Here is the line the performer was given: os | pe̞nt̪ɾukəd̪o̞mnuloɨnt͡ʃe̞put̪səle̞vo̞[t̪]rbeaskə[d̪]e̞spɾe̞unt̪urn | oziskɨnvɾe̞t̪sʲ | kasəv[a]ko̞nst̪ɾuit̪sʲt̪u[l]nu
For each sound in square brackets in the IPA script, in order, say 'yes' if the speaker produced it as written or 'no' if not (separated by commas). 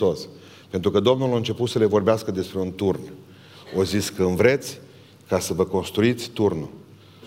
no, yes, no, no